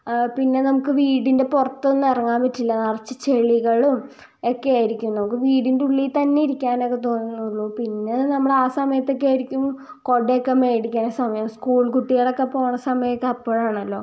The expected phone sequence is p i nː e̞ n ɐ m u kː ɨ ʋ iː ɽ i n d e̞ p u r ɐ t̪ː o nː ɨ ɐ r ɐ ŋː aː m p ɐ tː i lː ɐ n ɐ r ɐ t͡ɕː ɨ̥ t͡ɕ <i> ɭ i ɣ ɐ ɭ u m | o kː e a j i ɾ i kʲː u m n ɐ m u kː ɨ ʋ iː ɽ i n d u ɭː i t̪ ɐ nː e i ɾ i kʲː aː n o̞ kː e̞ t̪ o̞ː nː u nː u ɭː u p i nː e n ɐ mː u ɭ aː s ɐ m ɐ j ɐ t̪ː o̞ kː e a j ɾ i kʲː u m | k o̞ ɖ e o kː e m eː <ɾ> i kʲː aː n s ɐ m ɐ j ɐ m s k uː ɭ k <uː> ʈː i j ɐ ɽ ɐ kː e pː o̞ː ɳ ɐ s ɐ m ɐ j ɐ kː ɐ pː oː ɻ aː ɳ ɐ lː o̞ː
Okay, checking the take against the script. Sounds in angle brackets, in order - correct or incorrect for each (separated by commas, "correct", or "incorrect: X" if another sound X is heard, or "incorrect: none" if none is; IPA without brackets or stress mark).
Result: incorrect: e, incorrect: ɽ, incorrect: u